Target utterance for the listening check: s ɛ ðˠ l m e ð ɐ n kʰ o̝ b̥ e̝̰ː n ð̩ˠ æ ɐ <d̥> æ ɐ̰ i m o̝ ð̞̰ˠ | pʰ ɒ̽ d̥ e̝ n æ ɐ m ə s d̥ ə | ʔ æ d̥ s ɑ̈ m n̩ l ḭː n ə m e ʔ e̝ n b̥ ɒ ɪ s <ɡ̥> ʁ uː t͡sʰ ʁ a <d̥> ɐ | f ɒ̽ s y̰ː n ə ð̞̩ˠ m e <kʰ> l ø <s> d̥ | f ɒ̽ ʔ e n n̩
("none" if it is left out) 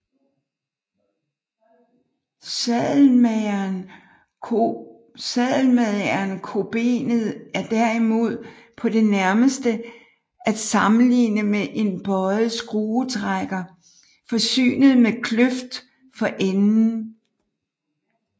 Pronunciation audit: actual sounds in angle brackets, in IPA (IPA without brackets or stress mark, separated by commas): d̥, ɡ̥, ɡ̥, kʰ, f